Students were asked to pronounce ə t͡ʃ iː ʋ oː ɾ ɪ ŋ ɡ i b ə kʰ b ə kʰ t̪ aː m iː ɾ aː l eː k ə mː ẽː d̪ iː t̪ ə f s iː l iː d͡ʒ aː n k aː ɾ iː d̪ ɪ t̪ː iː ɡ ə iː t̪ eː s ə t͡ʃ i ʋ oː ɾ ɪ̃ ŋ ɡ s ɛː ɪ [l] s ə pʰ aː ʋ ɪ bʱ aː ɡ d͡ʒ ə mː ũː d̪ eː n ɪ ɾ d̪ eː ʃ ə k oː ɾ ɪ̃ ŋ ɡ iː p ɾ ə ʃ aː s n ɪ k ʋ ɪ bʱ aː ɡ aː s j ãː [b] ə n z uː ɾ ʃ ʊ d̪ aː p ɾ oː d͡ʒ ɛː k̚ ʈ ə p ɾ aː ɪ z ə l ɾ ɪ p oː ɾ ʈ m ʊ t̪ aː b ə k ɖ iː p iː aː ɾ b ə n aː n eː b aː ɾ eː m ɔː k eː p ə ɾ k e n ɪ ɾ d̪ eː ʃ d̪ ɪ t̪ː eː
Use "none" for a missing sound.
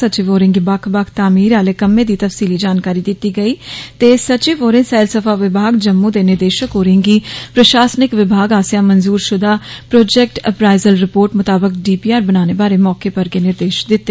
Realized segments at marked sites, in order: l, m

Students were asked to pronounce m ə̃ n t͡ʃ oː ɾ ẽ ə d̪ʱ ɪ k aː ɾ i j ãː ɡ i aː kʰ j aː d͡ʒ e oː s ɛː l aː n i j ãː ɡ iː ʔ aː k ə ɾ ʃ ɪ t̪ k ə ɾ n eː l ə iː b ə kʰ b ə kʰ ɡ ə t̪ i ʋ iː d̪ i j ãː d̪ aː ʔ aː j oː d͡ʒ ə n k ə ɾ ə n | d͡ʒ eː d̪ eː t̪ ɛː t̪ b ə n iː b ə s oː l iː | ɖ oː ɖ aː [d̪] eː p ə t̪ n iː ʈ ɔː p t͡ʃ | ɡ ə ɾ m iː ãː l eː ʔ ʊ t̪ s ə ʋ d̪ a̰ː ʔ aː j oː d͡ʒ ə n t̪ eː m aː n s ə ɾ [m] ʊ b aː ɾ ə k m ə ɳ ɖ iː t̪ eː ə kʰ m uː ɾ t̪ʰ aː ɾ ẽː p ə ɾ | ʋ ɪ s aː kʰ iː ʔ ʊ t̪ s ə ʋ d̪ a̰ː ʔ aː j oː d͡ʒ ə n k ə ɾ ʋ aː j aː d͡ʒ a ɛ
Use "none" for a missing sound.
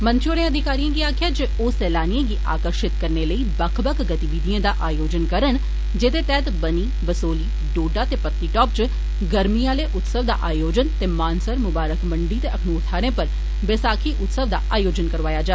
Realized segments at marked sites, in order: t̪, m

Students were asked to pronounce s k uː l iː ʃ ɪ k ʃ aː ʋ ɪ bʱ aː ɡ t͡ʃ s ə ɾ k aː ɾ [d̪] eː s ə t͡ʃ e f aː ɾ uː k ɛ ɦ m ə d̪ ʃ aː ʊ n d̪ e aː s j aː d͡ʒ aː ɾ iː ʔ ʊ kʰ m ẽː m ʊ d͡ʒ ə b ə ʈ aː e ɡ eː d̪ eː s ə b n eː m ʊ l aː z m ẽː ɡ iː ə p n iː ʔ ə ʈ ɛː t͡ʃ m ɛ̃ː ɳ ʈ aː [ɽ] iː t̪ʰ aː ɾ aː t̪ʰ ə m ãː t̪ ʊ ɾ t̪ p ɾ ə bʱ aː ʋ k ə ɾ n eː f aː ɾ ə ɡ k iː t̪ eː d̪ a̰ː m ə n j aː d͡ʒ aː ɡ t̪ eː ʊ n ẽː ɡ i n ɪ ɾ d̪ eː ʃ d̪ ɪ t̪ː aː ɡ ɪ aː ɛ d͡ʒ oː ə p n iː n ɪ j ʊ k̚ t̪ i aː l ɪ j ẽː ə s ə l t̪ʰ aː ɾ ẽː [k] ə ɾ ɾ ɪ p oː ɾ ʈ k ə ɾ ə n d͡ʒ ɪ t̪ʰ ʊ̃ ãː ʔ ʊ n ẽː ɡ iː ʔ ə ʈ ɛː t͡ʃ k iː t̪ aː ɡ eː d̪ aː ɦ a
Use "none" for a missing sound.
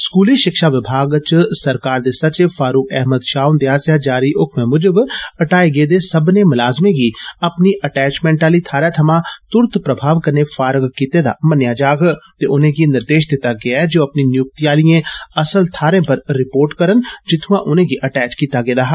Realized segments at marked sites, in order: d̪, l, p

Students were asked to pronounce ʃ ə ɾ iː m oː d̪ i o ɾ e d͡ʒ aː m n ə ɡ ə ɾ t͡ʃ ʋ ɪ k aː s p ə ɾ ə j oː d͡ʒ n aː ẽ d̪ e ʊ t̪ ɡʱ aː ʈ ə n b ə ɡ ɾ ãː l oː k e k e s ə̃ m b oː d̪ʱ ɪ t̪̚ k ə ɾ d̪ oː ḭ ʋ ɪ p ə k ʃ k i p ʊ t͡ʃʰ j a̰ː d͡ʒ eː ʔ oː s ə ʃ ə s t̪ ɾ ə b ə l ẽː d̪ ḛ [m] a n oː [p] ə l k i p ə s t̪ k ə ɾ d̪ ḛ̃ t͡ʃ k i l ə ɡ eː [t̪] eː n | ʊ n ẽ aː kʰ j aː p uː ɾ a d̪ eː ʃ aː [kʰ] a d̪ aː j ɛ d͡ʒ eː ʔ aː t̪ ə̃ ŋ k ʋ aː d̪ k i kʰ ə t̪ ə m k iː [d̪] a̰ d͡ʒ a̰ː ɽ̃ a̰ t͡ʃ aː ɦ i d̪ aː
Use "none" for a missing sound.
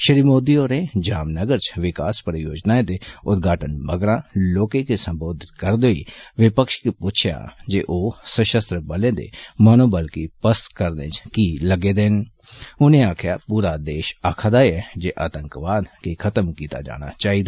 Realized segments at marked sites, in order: m, b, d̪, kʰ, t̪

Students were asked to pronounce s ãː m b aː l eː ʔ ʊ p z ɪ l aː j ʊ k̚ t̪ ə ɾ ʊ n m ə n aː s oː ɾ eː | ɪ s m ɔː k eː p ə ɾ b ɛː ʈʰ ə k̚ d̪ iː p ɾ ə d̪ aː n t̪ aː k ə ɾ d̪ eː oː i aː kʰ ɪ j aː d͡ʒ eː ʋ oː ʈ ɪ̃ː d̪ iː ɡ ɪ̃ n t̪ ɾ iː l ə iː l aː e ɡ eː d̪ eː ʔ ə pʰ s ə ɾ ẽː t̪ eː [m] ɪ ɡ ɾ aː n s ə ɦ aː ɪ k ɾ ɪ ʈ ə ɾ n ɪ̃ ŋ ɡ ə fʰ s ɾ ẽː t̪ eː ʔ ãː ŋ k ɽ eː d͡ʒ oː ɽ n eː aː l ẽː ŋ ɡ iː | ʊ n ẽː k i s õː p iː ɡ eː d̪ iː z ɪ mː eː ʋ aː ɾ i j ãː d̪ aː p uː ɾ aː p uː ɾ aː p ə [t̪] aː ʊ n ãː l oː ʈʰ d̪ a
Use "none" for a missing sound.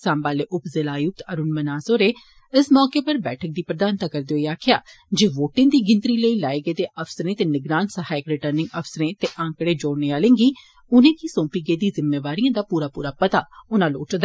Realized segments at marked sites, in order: n, t̪

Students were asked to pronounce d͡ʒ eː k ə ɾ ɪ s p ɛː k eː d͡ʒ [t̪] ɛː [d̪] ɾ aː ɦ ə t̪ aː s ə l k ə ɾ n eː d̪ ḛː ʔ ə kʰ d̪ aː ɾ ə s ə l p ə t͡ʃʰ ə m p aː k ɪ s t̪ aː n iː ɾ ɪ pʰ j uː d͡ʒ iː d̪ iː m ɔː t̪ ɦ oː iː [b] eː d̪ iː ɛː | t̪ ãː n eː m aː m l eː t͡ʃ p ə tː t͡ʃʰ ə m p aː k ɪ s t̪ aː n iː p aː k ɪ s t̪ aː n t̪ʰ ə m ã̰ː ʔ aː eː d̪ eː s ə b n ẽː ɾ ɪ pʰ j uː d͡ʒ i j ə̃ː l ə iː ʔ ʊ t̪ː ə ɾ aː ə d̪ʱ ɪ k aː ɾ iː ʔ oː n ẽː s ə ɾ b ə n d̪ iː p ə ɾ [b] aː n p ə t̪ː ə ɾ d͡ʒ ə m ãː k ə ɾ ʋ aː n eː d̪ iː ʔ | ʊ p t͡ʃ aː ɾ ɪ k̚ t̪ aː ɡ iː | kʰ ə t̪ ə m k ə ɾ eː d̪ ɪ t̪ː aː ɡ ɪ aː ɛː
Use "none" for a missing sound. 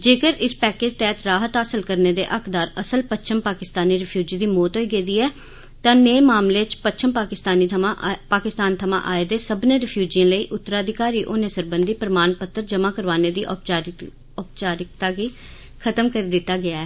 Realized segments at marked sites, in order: t̪, t̪, ɡ, m

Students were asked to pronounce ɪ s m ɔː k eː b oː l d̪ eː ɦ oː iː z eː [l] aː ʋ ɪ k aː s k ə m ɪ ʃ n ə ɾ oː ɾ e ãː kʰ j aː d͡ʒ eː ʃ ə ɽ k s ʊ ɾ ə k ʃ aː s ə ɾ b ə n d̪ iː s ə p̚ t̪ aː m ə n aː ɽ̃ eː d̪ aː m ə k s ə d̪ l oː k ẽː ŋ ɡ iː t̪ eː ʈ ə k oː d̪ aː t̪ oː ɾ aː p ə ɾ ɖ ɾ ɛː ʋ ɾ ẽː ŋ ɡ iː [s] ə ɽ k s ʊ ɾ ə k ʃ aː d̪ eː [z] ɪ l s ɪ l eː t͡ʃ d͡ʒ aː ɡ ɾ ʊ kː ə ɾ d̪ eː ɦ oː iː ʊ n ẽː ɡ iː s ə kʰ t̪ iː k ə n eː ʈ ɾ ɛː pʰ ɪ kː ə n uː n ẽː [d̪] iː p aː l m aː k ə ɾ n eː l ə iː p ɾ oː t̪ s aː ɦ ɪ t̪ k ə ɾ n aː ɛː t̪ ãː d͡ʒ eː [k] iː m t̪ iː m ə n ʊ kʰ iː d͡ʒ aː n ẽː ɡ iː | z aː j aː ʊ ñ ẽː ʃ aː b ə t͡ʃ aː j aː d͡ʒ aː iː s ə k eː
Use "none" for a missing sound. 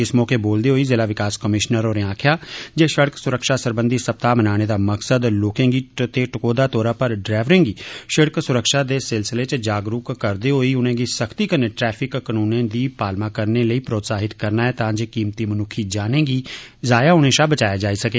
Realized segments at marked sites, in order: l, ʃ, s, d̪, k

